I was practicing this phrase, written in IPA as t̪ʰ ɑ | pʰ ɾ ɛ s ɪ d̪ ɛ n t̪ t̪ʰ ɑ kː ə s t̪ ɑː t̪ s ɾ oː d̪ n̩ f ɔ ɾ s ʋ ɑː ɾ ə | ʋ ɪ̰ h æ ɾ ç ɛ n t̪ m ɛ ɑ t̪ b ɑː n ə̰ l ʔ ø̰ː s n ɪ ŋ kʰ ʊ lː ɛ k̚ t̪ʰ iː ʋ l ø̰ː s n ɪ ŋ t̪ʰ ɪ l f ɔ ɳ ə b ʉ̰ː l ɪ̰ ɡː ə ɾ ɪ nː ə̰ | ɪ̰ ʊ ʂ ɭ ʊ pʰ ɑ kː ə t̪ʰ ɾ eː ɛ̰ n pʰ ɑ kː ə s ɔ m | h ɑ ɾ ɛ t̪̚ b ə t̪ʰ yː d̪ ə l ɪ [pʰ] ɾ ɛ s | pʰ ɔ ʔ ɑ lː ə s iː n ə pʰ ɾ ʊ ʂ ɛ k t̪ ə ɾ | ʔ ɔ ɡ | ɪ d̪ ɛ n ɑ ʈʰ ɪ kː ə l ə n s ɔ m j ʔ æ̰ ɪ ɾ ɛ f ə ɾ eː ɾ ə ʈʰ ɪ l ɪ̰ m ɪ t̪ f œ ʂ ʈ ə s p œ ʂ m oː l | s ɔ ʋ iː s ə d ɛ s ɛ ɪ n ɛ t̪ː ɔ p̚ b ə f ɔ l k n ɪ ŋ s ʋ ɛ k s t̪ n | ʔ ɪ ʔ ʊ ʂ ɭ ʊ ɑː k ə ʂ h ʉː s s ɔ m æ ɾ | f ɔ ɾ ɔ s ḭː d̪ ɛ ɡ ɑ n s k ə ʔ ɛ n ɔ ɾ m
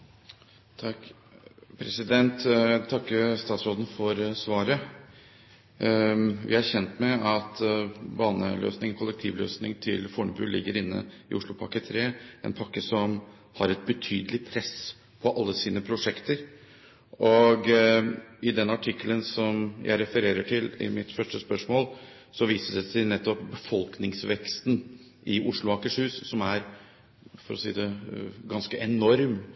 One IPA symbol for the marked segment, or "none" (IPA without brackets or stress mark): pʰ